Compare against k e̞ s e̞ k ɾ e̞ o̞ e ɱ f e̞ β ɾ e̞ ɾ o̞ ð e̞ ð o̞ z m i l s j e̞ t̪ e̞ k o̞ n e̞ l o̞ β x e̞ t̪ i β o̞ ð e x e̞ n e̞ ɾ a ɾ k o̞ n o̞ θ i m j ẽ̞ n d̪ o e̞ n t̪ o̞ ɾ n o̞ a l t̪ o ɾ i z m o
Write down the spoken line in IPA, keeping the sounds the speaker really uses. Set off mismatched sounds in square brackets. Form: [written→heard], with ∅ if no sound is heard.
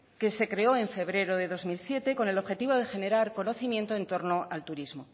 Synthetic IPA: k e̞ s e̞ k ɾ e̞ o̞ e ɱ f e̞ β ɾ e̞ ɾ o̞ ð e̞ ð o̞ z m i l s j e̞ t̪ e̞ k o̞ n e̞ l o̞ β x e̞ t̪ i β o̞ ð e x e̞ n e̞ ɾ a ɾ k o̞ n o̞ θ i m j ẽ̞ n [d̪→t̪] o e̞ n t̪ o̞ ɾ n o̞ a l t̪ [o→u] ɾ i z m o